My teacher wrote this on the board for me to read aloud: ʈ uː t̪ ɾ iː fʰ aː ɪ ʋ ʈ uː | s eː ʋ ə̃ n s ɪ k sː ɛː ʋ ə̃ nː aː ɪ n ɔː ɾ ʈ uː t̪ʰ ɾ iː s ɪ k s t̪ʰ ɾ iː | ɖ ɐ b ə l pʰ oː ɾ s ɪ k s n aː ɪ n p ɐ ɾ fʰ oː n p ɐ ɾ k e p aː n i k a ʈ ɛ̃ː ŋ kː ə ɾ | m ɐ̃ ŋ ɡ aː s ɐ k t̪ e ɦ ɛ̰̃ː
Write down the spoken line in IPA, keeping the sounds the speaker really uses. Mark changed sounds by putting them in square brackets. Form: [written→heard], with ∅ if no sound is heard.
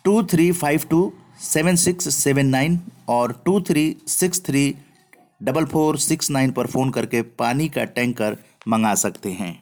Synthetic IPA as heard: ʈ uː [t̪→t̪ʰ] ɾ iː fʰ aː ɪ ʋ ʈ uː | s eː ʋ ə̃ n s ɪ k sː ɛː ʋ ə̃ nː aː ɪ n ɔː ɾ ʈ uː t̪ʰ ɾ iː s ɪ k s t̪ʰ ɾ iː | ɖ ɐ b ə l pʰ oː ɾ s ɪ k s n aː ɪ n p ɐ ɾ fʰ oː n [p→k] ɐ ɾ k e p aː n i k a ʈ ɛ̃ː ŋ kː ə ɾ | m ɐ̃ ŋ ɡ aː s ɐ k t̪ e ɦ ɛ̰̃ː